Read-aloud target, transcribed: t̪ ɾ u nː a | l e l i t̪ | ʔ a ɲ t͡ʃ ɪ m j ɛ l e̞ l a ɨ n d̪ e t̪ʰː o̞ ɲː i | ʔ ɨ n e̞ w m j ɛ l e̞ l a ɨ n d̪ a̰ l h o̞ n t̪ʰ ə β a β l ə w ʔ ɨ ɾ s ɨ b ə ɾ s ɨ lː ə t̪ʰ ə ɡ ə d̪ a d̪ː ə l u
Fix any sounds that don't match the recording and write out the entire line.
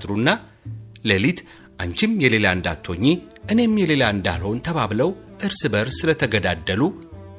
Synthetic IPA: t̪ ɾ u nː a | l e l i t̪ | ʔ a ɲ t͡ʃ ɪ m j ɛ l e̞ l a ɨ n d̪ a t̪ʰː o̞ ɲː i | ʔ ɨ n e̞ m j ɛ l e̞ l a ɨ n d̪ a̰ l h o̞ n t̪ʰ ə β a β l ə w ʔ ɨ ɾ s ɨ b ə ɾ s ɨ l ə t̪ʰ ə ɡ ə d̪ a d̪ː ə l u